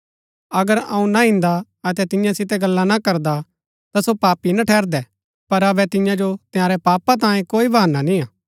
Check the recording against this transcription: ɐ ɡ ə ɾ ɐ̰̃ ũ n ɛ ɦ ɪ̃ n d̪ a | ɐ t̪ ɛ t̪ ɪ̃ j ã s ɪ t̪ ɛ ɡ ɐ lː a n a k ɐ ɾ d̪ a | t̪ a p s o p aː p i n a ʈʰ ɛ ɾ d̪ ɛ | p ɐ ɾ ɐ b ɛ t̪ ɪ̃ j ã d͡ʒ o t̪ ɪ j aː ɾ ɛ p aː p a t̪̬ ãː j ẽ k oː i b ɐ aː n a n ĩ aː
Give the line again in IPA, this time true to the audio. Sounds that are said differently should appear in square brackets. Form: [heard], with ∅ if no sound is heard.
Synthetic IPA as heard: ɐ ɡ ə ɾ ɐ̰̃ ũ n [a] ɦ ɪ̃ n d̪ a | ɐ t̪ ɛ t̪ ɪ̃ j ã s ɪ t̪ ɛ ɡ ɐ lː a n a k ɐ ɾ d̪ a | t̪ a [∅] s o p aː p i n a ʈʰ [ɛː] ɾ d̪ ɛ | p ɐ ɾ ɐ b ɛ t̪ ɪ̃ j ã d͡ʒ o t̪ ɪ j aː ɾ ɛ p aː p a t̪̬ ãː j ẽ k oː i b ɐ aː n a n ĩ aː